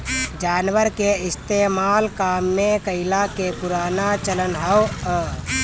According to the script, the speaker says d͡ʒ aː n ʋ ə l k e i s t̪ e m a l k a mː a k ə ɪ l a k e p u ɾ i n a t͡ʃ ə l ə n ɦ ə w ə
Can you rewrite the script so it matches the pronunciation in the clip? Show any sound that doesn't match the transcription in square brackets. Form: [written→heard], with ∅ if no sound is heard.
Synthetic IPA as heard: d͡ʒ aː n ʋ ə [l→ɾ] k e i s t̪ e m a l k a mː [a→e] k ə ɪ l a k e p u ɾ [i→a] n a t͡ʃ ə l ə n ɦ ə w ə